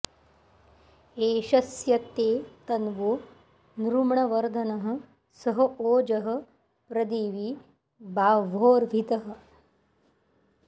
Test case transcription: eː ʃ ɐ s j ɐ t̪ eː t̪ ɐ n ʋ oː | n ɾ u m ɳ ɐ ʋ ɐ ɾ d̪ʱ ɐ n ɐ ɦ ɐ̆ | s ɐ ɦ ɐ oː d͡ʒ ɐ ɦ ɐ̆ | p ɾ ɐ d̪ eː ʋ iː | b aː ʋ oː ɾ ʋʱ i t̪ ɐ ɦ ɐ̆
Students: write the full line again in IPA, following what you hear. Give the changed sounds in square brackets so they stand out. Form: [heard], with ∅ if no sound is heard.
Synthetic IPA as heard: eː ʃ ɐ s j ɐ t̪ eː t̪ ɐ n ʋ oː | n ɾ u m ɳ ɐ ʋ ɐ ɾ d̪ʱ ɐ n ɐ ɦ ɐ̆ | s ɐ ɦ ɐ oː d͡ʒ ɐ ɦ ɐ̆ | p ɾ ɐ d̪ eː ʋ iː | b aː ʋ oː ɾ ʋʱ i t̪ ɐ ɦ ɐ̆